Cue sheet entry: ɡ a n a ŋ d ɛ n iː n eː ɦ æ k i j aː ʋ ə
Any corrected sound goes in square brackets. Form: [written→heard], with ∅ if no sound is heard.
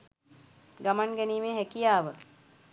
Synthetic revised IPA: ɡ a [n→m] a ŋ [d→ɡ] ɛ n iː [n→m] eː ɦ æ k i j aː ʋ ə